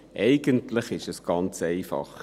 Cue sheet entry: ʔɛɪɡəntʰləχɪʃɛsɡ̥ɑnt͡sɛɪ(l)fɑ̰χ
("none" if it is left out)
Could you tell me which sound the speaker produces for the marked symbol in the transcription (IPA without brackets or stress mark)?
none